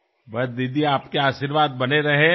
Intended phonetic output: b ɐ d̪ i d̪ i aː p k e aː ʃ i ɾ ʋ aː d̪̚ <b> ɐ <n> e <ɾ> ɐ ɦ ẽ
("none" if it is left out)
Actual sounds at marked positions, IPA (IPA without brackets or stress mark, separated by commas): b, n, ɾ